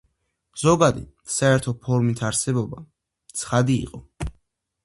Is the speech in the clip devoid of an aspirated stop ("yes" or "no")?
no